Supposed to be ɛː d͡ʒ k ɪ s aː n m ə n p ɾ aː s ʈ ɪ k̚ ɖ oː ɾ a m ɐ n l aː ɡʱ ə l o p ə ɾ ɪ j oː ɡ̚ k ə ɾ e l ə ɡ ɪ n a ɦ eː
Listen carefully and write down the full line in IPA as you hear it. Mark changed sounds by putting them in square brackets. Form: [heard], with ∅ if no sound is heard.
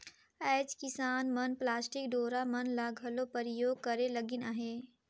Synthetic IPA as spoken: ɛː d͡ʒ k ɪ s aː n m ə n p [l] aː s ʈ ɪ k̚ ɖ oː ɾ a m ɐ n l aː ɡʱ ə l o p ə ɾ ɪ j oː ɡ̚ k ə ɾ e l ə ɡ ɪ n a ɦ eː

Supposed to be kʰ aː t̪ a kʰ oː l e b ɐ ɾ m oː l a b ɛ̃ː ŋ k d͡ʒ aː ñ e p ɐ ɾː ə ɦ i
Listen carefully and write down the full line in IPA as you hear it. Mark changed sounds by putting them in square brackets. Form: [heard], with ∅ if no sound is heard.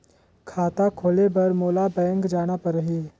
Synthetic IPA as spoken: kʰ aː t̪ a kʰ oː l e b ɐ ɾ m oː l a b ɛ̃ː ŋ k d͡ʒ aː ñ [a] p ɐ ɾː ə ɦ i

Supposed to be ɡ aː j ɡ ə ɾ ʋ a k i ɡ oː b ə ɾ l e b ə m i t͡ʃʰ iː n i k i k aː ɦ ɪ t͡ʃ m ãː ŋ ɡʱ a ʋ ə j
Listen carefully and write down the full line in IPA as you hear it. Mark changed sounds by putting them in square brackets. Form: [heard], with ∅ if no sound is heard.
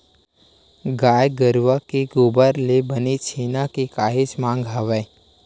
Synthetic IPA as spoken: ɡ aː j ɡ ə ɾ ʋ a k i ɡ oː b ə ɾ l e b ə [n] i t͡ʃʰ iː n [a] k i k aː ɦ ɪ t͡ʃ m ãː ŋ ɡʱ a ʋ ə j

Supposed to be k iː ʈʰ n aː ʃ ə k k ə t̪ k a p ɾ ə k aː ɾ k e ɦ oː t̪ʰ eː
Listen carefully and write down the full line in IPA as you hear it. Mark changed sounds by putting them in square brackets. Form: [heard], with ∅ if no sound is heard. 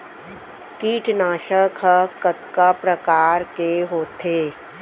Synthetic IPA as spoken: k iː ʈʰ n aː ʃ ə k k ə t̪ k a p ɾ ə k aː ɾ k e ɦ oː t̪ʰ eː

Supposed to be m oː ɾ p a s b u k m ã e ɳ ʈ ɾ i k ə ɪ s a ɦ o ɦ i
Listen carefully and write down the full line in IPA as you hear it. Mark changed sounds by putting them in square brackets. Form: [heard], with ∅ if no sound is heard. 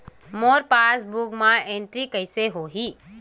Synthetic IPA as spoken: m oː ɾ p a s b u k m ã e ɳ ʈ ɾ i k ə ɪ s [e] ɦ o ɦ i

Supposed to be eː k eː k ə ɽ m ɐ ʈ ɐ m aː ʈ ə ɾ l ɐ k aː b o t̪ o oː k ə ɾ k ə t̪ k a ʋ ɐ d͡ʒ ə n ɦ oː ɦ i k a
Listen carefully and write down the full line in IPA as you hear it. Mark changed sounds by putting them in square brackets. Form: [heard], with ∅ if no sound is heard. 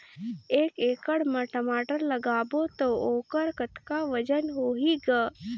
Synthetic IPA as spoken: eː k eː k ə ɽ m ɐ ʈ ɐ m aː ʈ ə ɾ l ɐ [ɡ] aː b o t̪ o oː k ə ɾ k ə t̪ k a ʋ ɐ d͡ʒ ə n ɦ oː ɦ i [ɡ] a

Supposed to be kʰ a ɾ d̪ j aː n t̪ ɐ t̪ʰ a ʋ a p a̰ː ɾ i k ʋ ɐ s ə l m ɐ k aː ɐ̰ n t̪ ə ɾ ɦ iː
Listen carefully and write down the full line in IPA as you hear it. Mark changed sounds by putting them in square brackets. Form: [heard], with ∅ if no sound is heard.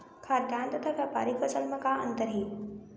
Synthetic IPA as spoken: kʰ a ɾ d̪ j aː n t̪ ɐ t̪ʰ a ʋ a p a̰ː ɾ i k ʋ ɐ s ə l m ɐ k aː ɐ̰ n t̪ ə ɾ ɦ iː

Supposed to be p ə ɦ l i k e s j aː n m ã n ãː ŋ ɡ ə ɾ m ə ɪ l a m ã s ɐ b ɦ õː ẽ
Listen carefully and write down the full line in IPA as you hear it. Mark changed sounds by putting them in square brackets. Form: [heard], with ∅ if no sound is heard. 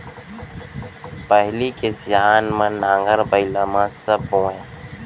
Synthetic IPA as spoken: p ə ɦ l i k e s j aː n m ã n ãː ŋ ɡ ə ɾ [b] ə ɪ l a m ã s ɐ b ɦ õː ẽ

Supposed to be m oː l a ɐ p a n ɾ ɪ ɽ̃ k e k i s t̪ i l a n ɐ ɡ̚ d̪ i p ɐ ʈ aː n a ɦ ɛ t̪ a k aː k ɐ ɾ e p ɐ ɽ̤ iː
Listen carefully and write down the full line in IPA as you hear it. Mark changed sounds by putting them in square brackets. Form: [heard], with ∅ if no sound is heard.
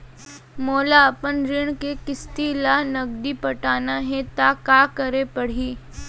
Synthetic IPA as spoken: m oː l a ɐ p [ə] n ɾ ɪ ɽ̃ k e k [ɪ] s t̪ i l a n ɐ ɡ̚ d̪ i p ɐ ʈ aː n a ɦ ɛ t̪ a k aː k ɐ ɾ e p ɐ ɽ̤ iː

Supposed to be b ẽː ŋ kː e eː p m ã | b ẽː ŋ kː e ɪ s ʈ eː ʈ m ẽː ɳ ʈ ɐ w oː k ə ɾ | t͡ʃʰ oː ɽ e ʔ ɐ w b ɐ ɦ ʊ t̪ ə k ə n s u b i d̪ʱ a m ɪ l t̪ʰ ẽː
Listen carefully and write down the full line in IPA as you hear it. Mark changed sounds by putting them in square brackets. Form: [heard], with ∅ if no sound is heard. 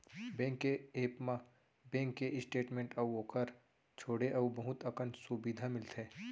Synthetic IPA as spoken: b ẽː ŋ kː e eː p m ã | b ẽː ŋ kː e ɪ s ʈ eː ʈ m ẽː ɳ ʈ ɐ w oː k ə ɾ | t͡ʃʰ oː ɽ e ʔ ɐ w b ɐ ɦ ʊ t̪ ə k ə n s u b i d̪ʱ a m ɪ l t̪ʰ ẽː

